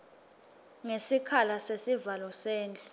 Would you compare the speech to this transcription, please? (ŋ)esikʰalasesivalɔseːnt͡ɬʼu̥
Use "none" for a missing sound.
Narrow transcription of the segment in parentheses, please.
ŋ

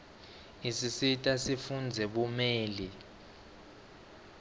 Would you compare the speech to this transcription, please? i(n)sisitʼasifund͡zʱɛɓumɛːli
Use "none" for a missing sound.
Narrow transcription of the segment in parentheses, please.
none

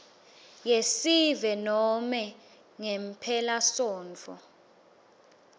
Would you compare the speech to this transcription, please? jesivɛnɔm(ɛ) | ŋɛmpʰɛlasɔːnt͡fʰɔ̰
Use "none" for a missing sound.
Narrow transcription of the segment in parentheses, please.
ɛ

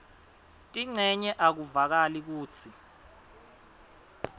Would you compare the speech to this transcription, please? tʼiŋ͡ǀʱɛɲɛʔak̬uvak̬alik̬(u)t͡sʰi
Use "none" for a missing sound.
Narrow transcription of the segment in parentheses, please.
uː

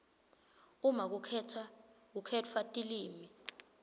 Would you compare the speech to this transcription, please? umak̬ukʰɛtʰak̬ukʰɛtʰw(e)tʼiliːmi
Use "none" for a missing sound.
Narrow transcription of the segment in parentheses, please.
a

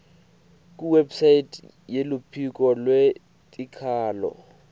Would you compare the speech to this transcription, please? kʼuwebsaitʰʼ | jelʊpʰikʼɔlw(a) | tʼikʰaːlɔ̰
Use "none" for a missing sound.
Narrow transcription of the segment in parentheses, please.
e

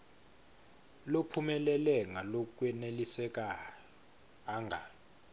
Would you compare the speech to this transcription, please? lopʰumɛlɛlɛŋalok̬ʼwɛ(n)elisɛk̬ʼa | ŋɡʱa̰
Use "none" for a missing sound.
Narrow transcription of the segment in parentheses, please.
n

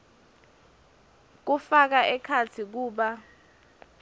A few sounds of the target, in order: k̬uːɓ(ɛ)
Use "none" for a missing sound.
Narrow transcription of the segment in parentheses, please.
a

